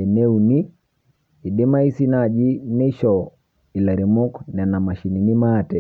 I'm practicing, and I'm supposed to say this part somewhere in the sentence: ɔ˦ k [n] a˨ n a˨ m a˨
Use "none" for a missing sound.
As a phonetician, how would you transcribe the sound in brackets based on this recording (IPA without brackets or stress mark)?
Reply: n